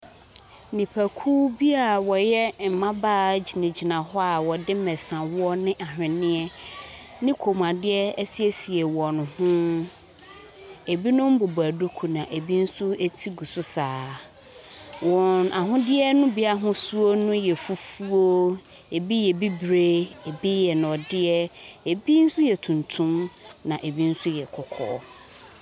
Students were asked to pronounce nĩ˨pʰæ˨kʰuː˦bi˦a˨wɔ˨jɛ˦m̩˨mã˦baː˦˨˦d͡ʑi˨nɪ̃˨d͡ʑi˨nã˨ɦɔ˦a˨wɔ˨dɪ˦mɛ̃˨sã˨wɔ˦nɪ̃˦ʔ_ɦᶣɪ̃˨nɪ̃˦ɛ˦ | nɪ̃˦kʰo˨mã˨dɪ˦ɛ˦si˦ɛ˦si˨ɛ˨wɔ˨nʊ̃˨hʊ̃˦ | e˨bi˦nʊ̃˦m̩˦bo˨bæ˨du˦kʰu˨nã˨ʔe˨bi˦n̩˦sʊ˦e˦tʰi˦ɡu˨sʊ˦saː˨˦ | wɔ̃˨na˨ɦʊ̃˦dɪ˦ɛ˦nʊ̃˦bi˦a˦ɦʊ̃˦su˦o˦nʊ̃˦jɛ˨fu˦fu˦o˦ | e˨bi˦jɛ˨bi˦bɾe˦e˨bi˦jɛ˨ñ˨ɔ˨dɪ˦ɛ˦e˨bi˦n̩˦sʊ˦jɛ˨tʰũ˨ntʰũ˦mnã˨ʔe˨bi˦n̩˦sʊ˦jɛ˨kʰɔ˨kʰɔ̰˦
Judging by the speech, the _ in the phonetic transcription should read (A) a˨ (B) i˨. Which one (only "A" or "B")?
A